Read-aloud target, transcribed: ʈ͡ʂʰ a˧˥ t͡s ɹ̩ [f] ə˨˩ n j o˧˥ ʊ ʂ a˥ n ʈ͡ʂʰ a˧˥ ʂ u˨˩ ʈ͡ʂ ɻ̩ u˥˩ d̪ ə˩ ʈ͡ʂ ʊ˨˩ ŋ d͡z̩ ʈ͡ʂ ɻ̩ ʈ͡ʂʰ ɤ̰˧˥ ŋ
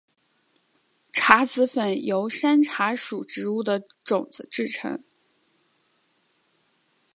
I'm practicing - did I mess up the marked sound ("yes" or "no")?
no